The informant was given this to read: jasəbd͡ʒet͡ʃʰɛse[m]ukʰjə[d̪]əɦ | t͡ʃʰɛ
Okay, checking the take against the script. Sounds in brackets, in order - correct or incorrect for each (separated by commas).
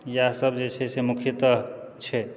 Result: correct, incorrect